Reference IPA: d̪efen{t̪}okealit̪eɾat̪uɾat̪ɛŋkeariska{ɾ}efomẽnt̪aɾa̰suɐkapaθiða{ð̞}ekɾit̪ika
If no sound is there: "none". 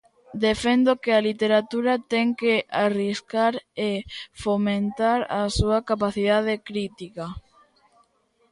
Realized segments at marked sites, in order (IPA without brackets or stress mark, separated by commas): d̪, ɾ, ð̞